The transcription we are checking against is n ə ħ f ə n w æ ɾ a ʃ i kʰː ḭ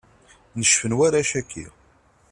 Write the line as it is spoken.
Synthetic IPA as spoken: n ə ʃ f ə n w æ ɾ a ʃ æ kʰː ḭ

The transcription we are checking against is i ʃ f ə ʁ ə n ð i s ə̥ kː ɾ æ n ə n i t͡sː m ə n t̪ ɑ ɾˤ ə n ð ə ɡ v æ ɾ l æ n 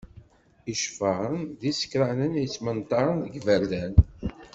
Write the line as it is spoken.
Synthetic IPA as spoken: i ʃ f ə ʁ ə n ð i s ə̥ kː ɾ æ n ə n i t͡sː m ə n t̪ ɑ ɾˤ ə n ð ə ɡ v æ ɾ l æ n

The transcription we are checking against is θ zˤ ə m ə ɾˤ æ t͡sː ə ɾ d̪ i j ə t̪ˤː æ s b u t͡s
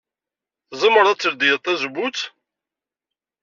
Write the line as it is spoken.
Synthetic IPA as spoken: θ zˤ ə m ə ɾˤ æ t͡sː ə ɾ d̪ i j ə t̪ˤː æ z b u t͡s

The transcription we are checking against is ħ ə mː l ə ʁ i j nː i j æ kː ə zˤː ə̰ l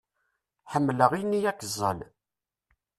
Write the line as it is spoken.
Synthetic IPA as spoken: ħ ə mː l ə ʁ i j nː i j æ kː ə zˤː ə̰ l

